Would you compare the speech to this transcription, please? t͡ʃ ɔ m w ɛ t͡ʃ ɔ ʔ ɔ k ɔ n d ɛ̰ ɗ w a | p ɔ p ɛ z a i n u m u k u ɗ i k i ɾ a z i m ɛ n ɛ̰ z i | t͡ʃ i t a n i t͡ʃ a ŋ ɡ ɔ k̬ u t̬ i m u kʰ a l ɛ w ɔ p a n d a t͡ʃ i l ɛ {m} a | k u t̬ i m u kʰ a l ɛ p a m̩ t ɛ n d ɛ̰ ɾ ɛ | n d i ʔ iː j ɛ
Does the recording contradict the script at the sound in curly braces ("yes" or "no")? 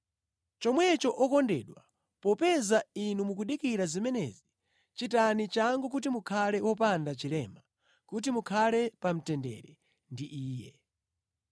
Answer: no